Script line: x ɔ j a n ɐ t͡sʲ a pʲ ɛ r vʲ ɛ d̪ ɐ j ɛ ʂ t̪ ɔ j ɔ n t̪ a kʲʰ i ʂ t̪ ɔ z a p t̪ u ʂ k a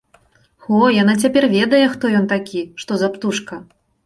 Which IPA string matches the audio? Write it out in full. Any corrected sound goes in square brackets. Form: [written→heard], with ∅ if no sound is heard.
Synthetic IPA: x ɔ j a n [ɐ→a] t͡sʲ a pʲ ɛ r vʲ ɛ d̪ ɐ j ɛ [ʂ→x] t̪ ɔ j ɔ n t̪ a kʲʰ i ʂ t̪ ɔ z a p t̪ u ʂ k [a→ɐ]